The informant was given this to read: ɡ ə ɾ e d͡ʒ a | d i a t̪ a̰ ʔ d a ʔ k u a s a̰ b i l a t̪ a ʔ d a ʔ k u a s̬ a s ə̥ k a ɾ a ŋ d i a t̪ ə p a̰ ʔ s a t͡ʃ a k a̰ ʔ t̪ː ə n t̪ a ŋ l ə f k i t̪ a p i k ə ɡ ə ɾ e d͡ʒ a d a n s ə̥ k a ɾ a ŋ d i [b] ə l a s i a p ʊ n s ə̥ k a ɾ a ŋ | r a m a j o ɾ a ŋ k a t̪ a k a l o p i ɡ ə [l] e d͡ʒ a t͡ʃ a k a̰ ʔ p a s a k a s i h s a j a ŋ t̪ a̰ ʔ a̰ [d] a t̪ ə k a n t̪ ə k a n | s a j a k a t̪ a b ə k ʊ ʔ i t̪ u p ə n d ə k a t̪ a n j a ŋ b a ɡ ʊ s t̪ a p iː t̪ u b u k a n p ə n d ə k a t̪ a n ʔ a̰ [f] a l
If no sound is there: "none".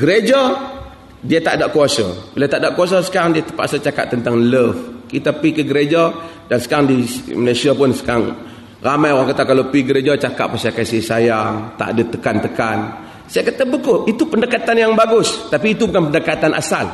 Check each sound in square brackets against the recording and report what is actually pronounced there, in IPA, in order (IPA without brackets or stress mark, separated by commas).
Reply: m, ɾ, d, s